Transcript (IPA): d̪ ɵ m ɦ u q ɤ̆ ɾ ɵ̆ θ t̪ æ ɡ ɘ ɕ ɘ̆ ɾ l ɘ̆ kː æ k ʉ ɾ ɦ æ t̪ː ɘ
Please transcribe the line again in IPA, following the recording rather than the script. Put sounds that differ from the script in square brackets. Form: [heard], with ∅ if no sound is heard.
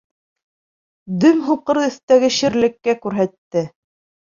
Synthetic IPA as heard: d̪ ɵ m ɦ u q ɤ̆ ɾ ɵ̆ θ t̪ æ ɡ ɘ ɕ ɘ̆ ɾ l ɘ̆ kː æ k ʉ ɾ ɦ æ t̪ː ɘ